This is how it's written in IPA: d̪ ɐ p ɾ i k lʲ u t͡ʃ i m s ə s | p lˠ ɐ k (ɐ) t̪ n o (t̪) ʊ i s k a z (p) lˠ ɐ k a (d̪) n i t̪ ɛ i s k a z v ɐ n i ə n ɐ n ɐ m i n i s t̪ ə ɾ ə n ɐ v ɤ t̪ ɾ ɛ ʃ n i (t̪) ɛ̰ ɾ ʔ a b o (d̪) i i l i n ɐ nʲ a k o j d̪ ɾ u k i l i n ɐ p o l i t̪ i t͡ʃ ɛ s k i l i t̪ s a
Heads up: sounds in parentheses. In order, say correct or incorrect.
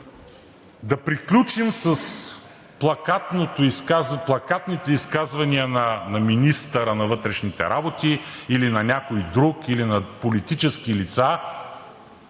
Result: incorrect: a, correct, correct, incorrect: t̪, correct, incorrect: t̪

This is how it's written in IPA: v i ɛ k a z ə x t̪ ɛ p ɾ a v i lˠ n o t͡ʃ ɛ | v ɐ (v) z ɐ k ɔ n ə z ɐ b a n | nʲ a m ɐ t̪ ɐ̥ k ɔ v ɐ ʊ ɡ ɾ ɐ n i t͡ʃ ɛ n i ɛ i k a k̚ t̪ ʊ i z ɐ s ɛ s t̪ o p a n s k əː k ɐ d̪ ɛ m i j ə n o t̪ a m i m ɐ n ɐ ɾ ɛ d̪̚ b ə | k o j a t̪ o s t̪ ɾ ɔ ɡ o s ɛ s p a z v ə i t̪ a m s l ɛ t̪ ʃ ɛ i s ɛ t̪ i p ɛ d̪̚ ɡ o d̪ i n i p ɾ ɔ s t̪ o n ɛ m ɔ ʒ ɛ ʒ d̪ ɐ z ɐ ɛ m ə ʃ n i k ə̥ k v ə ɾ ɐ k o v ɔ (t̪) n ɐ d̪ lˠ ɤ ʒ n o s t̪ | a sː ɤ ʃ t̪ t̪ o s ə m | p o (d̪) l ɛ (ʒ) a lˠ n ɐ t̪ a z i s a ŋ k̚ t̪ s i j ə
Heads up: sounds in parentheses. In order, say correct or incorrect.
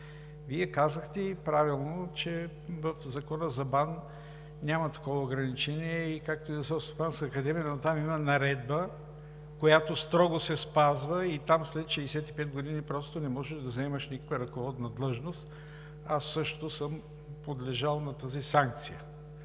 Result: incorrect: f, incorrect: d̪, correct, correct

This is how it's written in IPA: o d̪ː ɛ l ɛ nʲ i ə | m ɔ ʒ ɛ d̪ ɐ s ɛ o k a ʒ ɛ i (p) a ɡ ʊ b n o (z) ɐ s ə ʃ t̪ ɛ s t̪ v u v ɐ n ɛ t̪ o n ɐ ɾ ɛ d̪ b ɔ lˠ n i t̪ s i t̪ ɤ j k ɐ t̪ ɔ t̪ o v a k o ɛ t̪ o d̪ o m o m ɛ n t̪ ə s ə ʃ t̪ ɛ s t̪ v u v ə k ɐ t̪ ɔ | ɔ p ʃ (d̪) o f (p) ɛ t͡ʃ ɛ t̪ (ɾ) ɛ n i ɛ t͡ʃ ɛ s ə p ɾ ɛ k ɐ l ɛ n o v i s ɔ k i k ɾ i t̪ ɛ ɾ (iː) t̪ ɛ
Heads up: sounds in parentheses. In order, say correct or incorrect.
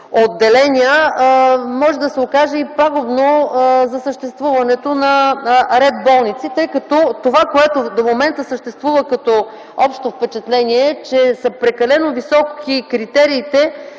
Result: correct, correct, incorrect: t̪, correct, incorrect: l, correct

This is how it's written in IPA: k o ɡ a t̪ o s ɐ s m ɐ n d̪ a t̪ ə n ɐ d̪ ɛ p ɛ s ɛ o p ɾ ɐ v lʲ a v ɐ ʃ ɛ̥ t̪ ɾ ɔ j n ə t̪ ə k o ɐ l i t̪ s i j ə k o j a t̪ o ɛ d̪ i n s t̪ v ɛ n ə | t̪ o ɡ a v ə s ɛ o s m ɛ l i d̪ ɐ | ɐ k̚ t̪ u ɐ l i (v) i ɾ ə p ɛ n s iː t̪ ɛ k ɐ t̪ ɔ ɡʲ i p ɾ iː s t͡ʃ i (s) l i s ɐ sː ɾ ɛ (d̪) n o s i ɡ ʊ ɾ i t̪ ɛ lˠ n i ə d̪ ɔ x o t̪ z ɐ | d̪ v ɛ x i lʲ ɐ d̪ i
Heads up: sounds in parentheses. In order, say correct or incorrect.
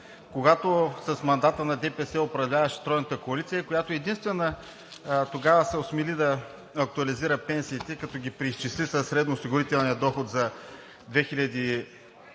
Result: incorrect: z, correct, correct

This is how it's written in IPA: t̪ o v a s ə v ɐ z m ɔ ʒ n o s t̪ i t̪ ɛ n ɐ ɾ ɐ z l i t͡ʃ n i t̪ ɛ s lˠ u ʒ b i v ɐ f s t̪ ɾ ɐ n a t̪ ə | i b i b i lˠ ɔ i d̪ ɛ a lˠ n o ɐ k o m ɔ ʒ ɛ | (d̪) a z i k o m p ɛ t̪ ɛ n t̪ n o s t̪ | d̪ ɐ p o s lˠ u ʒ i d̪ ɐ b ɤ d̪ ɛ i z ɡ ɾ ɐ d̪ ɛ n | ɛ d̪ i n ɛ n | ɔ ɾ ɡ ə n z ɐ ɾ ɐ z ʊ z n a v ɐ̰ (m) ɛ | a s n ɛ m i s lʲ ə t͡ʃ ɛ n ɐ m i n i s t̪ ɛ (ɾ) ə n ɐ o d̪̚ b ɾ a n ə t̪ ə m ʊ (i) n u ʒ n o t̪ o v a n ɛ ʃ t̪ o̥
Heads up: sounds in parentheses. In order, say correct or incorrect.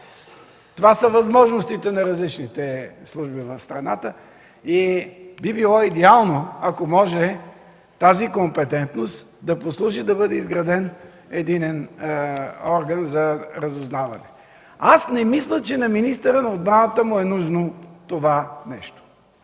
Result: incorrect: t̪, incorrect: n, correct, incorrect: ɛ

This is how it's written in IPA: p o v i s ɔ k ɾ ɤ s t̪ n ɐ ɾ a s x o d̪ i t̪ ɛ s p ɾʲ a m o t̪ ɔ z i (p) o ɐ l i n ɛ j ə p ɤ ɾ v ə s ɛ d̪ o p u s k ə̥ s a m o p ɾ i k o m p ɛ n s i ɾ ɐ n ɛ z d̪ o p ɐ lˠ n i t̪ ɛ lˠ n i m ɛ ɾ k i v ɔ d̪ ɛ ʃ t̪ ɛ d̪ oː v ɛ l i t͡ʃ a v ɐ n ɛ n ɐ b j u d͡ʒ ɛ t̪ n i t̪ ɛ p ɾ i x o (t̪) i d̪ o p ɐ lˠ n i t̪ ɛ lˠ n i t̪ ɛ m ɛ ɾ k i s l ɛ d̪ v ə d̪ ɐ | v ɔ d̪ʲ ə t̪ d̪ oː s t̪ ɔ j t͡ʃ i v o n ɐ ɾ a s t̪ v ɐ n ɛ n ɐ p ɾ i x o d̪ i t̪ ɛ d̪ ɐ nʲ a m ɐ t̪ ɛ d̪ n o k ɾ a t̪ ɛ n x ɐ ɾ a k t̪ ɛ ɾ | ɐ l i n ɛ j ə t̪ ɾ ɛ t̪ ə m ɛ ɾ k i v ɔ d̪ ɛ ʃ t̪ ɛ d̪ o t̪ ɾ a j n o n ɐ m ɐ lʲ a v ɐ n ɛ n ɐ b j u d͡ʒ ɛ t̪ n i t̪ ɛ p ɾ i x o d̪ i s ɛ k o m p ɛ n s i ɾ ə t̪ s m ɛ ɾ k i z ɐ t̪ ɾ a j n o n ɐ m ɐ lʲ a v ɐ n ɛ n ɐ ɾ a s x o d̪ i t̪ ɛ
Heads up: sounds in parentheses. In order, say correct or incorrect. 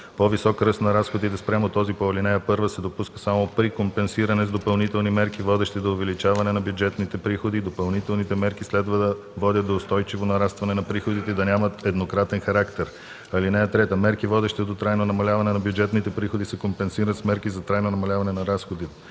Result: correct, incorrect: d̪

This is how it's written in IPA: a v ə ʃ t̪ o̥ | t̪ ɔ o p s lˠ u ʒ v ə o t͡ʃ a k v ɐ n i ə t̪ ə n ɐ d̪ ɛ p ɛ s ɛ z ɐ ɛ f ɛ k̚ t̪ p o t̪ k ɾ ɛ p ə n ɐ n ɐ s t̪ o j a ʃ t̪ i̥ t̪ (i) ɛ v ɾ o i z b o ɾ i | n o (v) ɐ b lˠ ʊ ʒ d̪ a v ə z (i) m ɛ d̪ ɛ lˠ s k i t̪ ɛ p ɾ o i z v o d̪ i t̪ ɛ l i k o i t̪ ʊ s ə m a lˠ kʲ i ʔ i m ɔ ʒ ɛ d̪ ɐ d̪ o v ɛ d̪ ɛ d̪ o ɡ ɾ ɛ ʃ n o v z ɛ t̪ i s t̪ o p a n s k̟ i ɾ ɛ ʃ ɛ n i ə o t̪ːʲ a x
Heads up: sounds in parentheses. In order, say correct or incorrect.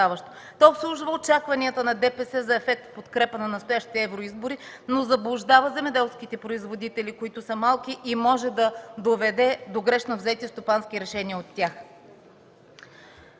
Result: incorrect: ɛ, incorrect: z, incorrect: ɛ

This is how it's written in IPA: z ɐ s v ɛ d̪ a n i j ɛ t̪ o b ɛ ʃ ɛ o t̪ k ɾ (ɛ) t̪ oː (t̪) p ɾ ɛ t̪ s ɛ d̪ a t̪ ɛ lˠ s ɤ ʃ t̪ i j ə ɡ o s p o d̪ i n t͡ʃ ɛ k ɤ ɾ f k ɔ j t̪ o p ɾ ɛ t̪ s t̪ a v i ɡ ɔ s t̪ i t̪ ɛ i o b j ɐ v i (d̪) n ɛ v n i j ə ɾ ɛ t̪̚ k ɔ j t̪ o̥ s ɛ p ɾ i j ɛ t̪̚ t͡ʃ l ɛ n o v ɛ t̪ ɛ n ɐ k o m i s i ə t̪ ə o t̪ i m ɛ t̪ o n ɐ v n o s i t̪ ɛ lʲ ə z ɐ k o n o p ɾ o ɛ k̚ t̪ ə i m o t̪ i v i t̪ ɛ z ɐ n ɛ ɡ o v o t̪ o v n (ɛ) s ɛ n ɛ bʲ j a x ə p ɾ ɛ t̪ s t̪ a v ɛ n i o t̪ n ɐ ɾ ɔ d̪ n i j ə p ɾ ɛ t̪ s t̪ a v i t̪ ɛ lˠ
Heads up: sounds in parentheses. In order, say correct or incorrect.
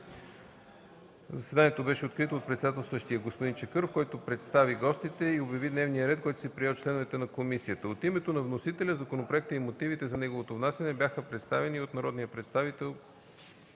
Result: incorrect: i, correct, correct, incorrect: a

